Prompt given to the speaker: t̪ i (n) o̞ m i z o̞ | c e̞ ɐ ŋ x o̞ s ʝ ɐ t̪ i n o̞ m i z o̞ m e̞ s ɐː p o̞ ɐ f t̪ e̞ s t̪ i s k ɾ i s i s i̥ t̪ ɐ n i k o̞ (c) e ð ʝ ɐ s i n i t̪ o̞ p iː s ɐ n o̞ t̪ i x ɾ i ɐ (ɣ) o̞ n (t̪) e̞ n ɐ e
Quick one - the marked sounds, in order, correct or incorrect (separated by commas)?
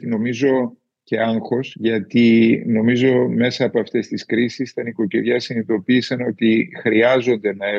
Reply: correct, correct, incorrect, incorrect